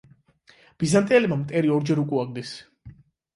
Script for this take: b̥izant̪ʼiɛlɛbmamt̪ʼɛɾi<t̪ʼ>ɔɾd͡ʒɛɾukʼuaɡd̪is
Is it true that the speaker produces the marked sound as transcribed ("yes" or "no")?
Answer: no